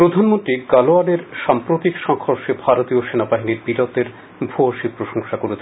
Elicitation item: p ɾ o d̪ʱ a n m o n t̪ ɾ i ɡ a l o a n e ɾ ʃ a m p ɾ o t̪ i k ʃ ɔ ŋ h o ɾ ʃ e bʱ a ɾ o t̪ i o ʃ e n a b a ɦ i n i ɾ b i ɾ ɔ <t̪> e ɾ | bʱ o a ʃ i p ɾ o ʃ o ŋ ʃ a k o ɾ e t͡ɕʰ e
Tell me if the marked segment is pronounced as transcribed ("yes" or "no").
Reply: yes